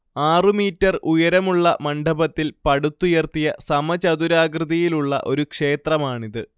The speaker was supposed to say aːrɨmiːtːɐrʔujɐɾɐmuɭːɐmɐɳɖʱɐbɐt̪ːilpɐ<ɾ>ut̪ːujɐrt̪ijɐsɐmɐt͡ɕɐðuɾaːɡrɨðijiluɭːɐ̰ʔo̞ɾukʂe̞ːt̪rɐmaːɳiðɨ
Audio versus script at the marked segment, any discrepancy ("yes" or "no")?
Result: yes